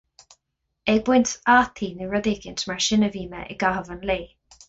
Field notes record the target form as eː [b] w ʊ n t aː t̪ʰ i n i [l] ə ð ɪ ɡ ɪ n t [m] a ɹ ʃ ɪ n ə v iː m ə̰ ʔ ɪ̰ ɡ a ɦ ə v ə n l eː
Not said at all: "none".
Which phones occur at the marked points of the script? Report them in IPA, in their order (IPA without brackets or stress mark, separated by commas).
b, ɹ, m